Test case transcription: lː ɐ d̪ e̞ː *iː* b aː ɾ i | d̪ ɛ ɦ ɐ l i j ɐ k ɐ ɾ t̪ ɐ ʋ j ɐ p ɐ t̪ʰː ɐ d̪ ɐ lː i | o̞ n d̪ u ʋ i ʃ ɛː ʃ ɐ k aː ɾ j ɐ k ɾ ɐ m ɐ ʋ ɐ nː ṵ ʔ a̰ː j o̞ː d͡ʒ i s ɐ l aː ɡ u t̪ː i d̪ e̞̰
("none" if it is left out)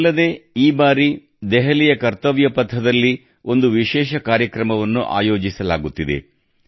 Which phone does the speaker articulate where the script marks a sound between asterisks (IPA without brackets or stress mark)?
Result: iː